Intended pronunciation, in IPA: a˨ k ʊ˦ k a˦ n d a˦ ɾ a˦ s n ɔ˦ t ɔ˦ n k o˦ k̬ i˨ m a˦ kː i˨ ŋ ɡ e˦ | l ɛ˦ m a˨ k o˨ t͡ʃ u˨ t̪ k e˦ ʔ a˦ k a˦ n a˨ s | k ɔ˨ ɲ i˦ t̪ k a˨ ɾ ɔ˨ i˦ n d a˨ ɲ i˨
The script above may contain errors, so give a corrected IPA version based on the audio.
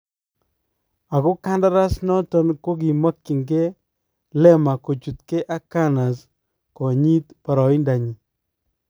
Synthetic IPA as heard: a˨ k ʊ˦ k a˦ n d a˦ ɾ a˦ s n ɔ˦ t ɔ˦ n k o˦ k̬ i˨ m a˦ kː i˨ ŋ ɡ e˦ | l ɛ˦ m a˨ k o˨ t͡ʃ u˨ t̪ k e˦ ʔ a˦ k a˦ n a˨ s | k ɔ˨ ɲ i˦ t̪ p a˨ ɾ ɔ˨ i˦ n d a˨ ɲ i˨

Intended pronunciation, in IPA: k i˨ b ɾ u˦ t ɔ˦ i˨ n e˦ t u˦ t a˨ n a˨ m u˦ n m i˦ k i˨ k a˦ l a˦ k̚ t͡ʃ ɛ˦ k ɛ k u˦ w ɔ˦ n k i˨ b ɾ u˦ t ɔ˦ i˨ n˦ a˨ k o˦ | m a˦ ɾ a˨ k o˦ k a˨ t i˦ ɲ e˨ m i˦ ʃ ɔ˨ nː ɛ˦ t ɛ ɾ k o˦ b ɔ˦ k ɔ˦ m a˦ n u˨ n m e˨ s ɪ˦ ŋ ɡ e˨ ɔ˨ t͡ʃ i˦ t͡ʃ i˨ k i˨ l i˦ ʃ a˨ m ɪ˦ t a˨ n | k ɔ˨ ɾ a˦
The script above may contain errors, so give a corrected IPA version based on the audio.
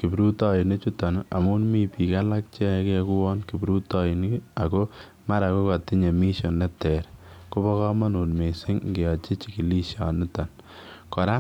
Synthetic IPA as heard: k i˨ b ɾ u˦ t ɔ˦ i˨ n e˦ t͡ʃ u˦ t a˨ n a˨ m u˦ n m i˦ p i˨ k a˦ l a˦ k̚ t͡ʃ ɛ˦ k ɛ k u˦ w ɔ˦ n k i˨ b ɾ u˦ t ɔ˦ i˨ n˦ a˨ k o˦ | m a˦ ɾ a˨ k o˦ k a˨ t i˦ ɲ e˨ m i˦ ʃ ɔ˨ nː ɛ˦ t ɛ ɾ k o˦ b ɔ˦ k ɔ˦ m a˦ n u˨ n m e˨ s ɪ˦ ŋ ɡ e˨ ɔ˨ t͡ʃ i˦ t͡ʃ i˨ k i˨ l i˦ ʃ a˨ n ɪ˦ t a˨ n | k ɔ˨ ɾ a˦

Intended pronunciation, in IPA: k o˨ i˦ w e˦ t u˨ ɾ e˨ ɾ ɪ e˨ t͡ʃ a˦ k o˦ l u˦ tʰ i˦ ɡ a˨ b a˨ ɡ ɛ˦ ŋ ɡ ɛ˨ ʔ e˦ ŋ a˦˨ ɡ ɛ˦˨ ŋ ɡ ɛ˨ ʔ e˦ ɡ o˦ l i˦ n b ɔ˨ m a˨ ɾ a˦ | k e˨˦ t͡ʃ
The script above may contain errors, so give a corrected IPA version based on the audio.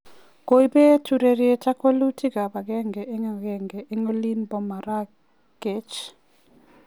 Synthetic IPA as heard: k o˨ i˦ b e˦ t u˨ ɾ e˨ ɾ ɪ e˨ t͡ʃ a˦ k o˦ l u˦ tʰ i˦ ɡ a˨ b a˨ ɡ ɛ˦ ŋ ɡ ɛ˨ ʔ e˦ ŋ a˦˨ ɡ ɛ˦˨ ŋ ɡ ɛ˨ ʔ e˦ ŋ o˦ l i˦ n b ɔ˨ m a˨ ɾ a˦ | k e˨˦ t͡ʃ

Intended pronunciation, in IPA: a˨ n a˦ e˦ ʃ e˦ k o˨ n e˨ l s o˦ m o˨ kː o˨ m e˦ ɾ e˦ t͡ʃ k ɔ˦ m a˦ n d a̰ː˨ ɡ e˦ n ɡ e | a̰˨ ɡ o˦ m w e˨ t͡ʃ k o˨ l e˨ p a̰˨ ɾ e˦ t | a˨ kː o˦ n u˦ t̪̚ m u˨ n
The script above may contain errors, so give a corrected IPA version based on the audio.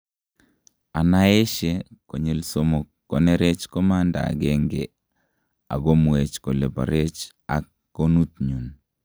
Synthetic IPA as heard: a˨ n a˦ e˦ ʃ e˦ k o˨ ɲ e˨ l s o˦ m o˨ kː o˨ n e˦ ɾ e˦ t͡ʃ k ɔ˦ m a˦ n d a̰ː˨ ɡ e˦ ŋ ɡ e | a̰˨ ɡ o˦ m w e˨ t͡ʃ k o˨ l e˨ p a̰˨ ɾ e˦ t͡ʃ | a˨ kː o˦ n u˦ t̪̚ ɲ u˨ n

